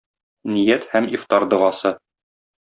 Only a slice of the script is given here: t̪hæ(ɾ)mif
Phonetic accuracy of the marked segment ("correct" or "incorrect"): incorrect